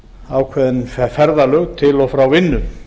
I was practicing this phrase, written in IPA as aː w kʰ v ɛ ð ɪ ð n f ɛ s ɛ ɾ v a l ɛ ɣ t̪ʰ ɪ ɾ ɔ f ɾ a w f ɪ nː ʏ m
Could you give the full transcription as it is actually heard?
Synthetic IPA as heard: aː w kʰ v ɛ ð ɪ n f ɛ f ɛ ɾ ð a l œ ɣ t̪ʰ ɪ l ɔ f ɾ a w v ɪ nː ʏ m